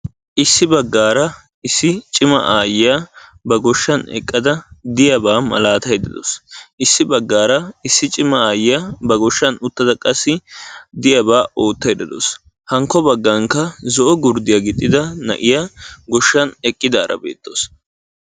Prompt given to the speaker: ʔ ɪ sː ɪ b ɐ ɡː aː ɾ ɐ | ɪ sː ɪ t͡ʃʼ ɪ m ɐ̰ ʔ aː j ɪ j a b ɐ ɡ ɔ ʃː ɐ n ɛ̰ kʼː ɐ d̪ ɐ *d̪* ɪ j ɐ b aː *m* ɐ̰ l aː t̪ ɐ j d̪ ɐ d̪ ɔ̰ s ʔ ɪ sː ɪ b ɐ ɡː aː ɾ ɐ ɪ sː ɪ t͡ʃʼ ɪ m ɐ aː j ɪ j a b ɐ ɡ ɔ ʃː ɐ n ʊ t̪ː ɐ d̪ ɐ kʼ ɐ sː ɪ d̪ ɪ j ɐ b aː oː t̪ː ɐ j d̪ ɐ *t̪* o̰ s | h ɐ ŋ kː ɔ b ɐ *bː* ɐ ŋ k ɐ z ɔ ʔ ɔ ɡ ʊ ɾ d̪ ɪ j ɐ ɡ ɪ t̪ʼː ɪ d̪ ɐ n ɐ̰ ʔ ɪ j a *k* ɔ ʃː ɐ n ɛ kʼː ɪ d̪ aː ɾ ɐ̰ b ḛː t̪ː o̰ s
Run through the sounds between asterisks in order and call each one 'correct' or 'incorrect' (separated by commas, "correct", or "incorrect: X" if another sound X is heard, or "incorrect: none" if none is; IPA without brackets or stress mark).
correct, correct, incorrect: d̪, incorrect: ɡː, incorrect: ɡ